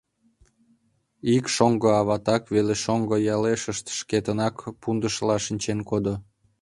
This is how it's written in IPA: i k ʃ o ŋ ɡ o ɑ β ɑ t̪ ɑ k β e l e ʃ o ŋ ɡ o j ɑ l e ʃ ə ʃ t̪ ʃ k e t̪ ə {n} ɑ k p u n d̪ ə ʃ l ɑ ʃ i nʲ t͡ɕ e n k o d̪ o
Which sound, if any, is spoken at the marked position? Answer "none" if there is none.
n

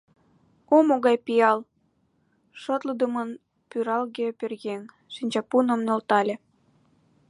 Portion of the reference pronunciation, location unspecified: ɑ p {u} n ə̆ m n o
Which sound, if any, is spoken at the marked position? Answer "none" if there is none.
u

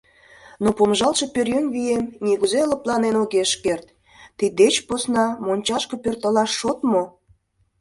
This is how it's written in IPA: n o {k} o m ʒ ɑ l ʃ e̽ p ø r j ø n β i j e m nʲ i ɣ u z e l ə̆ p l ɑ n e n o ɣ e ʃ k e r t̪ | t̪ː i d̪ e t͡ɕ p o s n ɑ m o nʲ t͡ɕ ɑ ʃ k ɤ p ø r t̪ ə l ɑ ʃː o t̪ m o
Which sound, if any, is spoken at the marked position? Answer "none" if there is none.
p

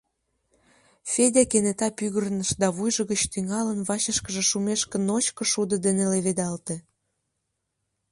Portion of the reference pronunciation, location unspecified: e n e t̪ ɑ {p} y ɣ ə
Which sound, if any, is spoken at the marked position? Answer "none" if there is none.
p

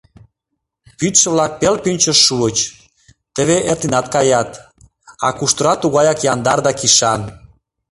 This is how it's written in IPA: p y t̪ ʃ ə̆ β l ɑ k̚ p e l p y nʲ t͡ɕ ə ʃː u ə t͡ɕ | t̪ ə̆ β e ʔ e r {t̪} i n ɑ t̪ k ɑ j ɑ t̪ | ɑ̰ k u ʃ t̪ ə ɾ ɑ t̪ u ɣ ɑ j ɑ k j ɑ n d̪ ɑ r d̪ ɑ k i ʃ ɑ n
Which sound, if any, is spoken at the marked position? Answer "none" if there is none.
t̪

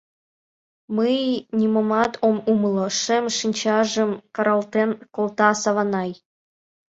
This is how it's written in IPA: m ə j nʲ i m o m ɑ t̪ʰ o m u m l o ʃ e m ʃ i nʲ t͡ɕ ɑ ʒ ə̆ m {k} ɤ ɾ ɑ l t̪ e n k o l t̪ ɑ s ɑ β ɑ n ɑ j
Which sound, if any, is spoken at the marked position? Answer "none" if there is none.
k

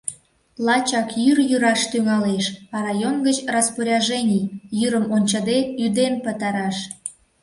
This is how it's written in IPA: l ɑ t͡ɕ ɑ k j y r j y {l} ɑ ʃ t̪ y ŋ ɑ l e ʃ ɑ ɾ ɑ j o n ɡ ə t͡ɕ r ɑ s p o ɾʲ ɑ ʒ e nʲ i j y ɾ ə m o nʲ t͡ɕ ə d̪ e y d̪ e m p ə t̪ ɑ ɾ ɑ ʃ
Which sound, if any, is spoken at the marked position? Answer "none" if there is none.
ɾ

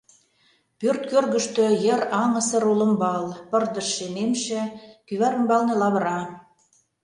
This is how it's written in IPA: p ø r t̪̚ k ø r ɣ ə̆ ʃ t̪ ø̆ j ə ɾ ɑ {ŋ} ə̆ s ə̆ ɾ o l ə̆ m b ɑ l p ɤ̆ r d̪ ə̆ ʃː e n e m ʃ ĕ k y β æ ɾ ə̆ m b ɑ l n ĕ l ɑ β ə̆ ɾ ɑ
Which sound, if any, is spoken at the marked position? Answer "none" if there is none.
ŋ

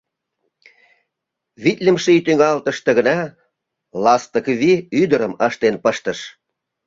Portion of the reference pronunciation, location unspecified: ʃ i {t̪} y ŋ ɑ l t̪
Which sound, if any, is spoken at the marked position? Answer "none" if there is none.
t̪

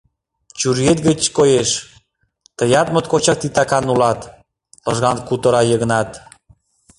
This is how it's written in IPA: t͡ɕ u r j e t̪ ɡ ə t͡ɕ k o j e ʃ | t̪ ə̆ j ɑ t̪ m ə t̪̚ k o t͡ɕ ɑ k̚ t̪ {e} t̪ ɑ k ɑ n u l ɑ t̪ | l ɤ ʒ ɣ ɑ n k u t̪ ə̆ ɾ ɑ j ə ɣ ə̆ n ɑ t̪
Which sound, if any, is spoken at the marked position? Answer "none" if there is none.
i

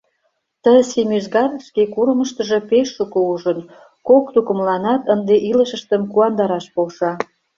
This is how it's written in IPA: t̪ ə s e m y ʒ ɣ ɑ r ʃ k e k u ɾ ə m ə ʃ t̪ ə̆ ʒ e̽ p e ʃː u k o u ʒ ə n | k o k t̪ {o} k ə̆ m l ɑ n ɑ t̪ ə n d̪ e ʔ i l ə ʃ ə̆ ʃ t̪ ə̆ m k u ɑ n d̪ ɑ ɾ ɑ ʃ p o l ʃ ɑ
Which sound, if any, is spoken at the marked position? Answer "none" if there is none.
u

